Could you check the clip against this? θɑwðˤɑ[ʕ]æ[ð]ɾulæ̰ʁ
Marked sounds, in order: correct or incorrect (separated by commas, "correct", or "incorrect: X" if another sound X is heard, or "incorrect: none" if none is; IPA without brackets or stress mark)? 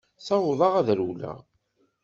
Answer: incorrect: ʁ, correct